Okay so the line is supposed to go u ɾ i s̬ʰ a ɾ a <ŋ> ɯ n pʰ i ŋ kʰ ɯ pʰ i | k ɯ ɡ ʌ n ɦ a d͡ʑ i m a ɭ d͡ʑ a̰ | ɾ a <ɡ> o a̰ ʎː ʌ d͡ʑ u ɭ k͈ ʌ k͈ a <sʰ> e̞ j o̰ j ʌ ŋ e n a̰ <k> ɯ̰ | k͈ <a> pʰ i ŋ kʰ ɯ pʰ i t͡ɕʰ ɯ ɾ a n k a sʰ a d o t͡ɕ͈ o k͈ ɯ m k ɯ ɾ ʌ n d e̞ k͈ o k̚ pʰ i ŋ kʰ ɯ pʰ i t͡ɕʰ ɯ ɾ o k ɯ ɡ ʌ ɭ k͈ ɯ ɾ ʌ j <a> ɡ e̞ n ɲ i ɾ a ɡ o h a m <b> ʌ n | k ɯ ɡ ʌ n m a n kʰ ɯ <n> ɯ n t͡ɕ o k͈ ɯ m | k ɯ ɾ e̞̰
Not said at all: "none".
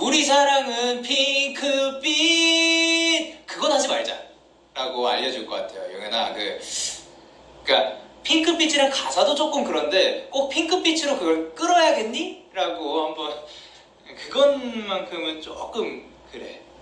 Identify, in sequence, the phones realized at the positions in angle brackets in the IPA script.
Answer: ŋ, ɡ, tʰ, k, a, a, b, m

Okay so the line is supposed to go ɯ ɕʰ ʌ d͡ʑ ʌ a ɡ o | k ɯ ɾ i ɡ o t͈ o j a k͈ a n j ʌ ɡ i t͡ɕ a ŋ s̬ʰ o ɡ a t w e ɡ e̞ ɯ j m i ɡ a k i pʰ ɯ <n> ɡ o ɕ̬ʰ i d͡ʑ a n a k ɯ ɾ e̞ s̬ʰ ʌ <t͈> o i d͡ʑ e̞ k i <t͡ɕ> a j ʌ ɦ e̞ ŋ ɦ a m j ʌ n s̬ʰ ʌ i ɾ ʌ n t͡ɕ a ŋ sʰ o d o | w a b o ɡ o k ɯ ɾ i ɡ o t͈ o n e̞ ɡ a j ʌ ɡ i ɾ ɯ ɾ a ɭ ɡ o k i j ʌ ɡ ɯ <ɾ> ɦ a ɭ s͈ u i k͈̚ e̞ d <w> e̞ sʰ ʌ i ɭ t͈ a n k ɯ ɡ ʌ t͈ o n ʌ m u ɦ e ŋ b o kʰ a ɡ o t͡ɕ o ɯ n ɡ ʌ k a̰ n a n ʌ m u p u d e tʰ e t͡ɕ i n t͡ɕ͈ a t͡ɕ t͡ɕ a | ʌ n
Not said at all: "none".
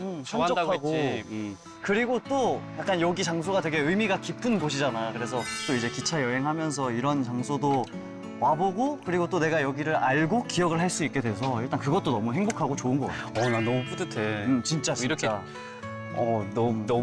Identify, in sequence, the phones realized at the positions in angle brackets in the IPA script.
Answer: n, t͈, t͡ɕʰ, ɭ, w

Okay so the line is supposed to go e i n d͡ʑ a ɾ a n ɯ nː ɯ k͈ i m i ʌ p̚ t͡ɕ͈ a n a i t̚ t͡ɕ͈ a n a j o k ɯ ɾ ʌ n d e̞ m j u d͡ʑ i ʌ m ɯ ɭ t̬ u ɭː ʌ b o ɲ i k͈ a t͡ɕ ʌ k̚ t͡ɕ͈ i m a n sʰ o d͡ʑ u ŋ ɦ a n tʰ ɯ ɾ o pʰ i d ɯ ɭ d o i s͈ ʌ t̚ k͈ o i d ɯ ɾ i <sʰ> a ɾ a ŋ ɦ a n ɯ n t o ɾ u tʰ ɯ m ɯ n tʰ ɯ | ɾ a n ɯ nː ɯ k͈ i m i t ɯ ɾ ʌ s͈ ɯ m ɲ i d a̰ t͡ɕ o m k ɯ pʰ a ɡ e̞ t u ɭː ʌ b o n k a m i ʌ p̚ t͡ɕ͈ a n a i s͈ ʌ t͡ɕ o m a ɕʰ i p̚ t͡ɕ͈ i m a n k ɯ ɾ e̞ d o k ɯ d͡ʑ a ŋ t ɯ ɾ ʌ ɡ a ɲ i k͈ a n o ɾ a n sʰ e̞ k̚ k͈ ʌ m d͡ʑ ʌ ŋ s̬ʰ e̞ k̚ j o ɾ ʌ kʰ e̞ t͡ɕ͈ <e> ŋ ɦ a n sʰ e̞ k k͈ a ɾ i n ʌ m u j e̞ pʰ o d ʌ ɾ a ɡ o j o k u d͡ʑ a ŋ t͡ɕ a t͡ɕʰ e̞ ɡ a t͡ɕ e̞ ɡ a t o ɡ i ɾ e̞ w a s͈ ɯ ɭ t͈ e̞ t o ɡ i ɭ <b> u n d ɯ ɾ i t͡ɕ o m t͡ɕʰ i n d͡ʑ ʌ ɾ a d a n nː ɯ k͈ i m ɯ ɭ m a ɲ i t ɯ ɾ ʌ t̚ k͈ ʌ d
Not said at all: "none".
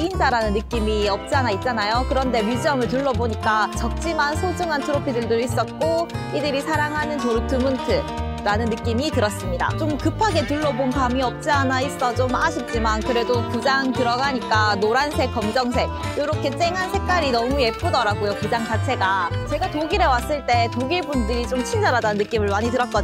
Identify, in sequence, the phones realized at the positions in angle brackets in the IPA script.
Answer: sʰ, e, b

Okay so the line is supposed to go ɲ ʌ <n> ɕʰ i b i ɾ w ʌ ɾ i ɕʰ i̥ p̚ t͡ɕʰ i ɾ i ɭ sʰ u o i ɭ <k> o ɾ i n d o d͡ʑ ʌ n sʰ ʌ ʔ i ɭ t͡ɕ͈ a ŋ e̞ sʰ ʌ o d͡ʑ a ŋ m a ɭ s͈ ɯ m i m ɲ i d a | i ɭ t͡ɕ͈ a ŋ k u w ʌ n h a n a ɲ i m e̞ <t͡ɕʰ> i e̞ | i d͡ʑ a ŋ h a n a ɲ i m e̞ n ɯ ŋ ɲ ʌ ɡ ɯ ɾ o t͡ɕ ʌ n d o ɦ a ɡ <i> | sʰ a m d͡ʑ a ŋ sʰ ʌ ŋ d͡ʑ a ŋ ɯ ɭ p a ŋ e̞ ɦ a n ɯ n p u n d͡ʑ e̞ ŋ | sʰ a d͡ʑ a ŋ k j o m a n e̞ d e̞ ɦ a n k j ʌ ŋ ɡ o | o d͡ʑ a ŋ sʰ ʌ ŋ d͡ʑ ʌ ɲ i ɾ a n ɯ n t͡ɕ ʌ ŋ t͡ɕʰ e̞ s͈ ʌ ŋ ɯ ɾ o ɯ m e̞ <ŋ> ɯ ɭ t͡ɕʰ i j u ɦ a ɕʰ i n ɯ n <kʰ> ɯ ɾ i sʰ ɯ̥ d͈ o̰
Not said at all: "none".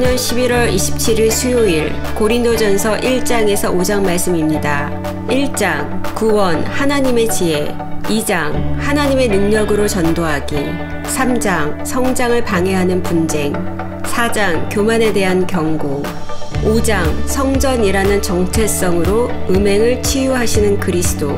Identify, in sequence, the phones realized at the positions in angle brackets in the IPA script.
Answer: n, k, t͡ɕ, i, ŋ, k

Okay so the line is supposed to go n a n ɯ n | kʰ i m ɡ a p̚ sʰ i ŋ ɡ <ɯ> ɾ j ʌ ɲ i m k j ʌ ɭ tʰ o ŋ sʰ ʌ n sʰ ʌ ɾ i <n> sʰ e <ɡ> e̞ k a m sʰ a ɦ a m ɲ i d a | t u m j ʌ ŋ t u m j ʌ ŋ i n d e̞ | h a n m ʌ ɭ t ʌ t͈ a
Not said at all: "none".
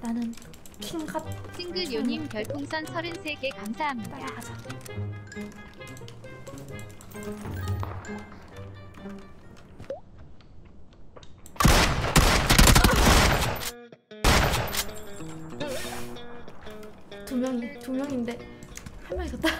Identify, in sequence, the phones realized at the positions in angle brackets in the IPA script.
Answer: ɯ, n, ɡ

